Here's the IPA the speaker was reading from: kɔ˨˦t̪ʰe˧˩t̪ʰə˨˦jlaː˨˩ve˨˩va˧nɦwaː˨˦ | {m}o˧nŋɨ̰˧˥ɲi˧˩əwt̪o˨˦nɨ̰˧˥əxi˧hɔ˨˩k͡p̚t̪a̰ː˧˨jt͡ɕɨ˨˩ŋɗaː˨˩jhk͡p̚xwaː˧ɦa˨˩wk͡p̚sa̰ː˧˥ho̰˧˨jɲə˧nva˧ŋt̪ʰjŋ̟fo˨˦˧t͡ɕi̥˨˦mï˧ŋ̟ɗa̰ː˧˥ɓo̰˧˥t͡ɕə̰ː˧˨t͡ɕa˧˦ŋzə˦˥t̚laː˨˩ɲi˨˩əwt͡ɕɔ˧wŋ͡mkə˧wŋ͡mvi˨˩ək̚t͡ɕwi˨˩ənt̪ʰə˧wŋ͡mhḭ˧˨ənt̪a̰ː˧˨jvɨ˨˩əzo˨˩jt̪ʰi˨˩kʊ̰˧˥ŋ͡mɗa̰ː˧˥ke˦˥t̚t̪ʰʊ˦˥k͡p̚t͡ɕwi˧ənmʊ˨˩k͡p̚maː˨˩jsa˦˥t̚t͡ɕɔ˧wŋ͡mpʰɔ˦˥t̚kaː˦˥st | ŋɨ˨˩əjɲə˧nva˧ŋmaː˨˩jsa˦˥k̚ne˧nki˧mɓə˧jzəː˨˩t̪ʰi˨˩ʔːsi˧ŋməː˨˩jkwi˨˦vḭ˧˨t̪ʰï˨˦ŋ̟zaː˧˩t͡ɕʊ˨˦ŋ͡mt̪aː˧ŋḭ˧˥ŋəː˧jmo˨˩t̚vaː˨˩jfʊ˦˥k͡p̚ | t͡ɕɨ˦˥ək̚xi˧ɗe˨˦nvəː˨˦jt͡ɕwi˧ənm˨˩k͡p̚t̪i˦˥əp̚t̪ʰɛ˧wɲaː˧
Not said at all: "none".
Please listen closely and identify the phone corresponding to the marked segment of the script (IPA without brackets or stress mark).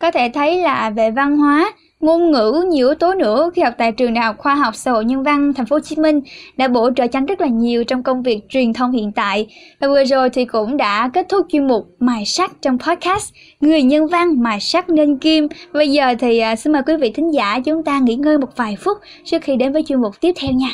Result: ŋ